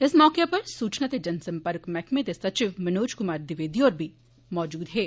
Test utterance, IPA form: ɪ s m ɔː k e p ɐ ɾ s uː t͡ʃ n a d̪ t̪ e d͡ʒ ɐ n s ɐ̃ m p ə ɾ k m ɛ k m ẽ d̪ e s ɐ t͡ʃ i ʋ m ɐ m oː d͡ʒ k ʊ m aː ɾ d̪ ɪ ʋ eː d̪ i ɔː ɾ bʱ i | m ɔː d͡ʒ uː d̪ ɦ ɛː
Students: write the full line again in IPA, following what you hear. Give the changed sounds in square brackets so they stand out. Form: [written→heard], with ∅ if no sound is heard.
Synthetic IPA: ɪ s m ɔː k e p ɐ ɾ s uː t͡ʃ n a [d̪→∅] t̪ e d͡ʒ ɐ n s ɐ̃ m p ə ɾ k m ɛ k m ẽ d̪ e s ɐ t͡ʃ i ʋ m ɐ [m→n] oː d͡ʒ k ʊ m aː ɾ d̪ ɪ ʋ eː d̪ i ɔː ɾ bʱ i | m ɔː d͡ʒ uː d̪ ɦ ɛː